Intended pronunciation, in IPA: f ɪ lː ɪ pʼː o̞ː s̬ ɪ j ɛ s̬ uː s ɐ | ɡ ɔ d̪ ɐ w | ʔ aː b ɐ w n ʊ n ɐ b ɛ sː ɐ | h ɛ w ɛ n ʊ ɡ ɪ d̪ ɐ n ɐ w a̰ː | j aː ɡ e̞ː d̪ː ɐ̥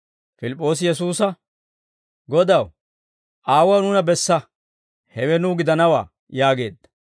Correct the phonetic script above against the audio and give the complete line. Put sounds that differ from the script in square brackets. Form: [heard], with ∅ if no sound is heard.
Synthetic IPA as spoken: f ɪ [l] ɪ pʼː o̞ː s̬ ɪ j ɛ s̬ uː s ɐ | ɡ ɔ d̪ ɐ w | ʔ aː [w] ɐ w n ʊ n ɐ b ɛ sː ɐ | h ɛ w ɛ n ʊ ɡ ɪ d̪ ɐ n ɐ w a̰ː | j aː ɡ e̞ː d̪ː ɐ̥